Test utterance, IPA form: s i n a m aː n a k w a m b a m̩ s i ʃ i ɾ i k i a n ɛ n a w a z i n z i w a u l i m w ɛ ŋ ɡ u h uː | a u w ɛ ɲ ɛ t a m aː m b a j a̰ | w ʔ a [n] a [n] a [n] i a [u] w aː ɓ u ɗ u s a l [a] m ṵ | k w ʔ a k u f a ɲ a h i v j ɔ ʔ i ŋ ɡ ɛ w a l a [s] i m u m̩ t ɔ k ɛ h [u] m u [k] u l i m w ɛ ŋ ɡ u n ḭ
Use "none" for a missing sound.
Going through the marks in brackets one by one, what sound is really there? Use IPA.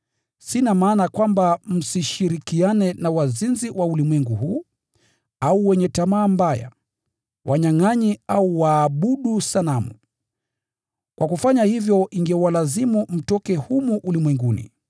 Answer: ɲ, ŋ, ɲ, u, a, z, u, ʔ

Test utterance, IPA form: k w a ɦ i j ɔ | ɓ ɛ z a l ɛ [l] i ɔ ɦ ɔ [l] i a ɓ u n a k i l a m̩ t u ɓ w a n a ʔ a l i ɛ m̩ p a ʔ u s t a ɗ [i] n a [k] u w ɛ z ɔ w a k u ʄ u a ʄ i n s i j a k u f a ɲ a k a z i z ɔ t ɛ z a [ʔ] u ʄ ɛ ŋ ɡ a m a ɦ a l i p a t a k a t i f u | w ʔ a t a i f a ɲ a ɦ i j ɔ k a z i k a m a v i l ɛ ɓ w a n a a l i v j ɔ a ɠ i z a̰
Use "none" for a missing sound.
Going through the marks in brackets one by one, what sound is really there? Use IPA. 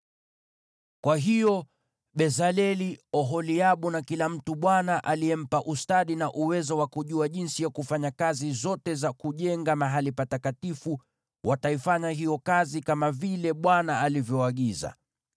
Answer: l, l, i, ʔ, k

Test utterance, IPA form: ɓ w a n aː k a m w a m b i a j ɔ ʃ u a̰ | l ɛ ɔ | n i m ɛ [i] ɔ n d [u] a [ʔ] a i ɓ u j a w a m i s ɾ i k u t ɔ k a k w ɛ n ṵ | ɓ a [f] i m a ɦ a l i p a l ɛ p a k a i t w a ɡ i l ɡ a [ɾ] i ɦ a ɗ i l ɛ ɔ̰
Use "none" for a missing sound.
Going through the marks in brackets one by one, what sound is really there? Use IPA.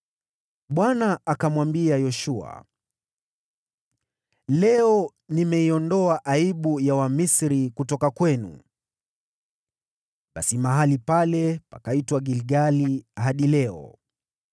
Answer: i, ɔ, ʔ, s, l

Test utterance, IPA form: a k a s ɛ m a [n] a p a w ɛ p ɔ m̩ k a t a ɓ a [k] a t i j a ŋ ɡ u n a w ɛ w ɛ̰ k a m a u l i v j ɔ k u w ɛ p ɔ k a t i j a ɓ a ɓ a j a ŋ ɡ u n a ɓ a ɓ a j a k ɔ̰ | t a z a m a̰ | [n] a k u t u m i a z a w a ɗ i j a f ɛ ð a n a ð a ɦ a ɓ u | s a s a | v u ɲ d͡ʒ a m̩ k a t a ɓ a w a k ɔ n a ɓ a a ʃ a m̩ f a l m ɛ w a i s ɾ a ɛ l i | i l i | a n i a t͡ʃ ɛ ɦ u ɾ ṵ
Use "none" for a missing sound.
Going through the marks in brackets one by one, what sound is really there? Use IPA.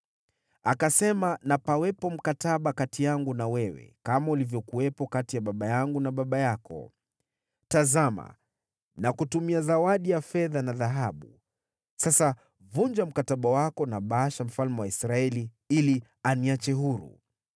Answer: n, k, n

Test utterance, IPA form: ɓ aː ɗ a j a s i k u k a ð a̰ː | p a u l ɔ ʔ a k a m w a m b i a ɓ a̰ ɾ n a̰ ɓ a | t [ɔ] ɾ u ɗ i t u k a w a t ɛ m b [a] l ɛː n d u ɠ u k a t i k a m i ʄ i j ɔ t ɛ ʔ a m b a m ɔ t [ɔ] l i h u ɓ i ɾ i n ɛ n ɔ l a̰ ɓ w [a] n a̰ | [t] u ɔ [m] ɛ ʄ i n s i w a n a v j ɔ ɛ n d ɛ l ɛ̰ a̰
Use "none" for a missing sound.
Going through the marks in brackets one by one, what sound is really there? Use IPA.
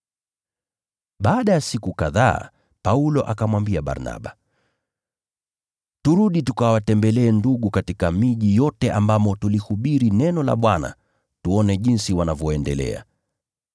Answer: u, ɛ, u, a, t, n

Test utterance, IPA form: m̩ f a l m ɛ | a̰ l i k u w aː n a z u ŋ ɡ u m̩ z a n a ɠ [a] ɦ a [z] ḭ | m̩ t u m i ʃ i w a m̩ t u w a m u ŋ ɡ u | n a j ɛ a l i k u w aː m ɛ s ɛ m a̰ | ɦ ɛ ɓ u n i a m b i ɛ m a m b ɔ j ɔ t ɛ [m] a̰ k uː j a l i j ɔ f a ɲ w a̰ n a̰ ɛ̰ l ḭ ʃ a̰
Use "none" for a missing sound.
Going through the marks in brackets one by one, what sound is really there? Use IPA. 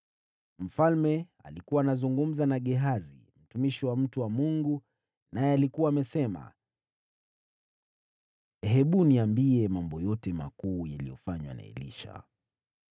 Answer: ɛ, z, m

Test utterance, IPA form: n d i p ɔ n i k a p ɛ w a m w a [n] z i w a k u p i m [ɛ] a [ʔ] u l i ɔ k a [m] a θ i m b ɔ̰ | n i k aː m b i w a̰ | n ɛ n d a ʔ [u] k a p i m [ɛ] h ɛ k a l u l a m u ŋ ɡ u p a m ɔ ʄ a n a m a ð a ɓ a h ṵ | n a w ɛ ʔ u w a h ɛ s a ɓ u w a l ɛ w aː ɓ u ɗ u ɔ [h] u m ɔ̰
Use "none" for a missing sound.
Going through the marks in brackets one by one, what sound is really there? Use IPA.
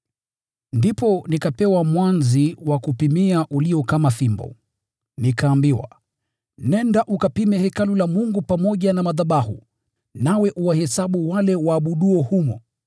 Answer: n, i, ʔ, m, u, ɛ, h

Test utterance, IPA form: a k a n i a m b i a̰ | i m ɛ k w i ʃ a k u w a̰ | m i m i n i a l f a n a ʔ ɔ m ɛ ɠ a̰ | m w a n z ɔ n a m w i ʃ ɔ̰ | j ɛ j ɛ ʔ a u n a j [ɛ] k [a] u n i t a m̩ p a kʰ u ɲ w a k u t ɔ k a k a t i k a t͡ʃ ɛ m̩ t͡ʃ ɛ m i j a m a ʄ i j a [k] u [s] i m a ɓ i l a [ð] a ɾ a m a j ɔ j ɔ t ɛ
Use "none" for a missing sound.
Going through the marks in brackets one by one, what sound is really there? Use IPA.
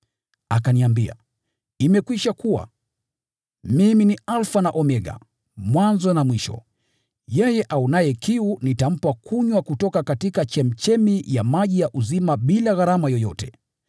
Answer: ɛ, i, ʔ, z, ɣ

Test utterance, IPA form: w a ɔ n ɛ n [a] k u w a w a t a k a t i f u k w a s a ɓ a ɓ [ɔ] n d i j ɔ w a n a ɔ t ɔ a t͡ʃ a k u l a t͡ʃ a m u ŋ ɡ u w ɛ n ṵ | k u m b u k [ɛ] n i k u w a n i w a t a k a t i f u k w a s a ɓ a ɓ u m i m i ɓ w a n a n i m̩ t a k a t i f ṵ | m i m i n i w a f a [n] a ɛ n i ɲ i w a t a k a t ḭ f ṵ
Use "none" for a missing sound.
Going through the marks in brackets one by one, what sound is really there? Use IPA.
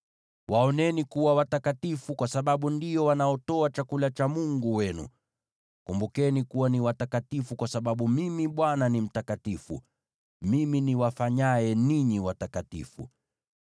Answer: i, u, ɛ, ɲ

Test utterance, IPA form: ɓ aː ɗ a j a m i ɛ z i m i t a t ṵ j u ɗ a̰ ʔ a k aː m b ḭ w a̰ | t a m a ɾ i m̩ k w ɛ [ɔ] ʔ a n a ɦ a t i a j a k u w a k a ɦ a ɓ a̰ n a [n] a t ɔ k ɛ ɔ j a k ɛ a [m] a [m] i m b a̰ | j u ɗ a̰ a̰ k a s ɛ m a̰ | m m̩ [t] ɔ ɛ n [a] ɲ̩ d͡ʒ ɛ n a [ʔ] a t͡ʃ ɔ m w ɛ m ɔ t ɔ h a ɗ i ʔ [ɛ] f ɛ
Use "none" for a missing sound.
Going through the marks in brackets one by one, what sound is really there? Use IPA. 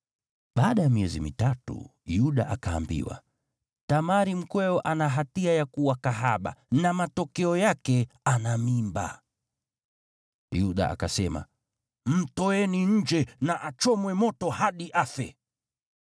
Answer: ɔ, m, n, m, t, i, ʔ, a

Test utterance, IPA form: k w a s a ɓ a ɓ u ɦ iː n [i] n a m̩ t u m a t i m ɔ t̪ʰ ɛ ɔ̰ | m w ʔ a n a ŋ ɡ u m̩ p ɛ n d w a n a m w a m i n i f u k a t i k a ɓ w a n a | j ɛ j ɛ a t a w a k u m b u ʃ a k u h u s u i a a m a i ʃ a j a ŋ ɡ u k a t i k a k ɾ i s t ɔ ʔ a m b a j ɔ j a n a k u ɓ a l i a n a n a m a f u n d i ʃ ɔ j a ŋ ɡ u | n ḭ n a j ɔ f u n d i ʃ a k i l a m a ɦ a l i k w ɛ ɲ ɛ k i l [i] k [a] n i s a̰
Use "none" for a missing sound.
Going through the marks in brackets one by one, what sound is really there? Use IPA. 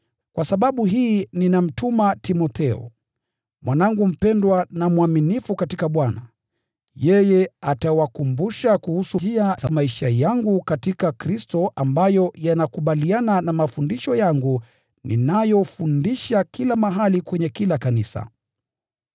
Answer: i, a, a

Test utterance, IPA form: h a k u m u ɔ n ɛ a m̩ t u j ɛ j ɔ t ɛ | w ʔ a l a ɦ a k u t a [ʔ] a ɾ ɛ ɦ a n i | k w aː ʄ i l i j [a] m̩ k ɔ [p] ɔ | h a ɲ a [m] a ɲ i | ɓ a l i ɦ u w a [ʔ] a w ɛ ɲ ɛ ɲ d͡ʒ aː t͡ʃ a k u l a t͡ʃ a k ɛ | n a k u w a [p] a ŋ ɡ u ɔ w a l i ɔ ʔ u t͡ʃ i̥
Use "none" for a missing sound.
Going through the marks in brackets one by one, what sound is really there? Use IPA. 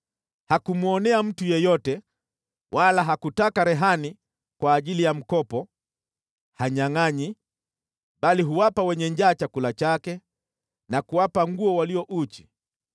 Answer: k, a, p, ŋ, p, p

